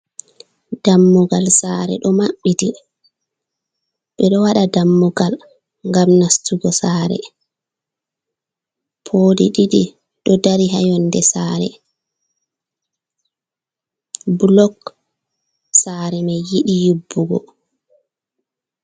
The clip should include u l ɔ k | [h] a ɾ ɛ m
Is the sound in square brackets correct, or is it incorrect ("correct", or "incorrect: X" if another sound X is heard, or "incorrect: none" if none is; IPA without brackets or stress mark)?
incorrect: s